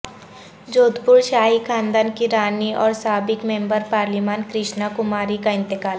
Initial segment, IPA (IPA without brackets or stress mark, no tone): d͡ʒ